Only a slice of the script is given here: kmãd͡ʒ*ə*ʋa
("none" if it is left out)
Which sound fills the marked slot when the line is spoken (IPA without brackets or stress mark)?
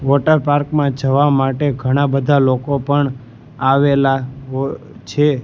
ə